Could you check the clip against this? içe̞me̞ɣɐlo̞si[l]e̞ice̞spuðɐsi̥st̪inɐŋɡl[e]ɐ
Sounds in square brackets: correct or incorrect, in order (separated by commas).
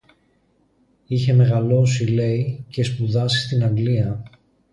correct, incorrect